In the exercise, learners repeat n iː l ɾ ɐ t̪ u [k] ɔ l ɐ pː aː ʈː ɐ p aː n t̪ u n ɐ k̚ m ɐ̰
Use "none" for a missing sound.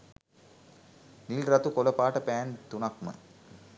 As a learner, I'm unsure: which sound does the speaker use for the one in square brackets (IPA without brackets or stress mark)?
k